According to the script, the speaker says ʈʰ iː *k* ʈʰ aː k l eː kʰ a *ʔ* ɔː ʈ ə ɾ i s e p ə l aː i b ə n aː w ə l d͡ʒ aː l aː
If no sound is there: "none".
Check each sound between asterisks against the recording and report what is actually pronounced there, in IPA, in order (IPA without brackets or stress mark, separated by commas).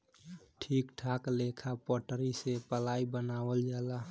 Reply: k, p